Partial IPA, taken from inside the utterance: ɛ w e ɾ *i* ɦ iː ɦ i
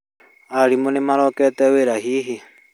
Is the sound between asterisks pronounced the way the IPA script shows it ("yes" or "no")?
no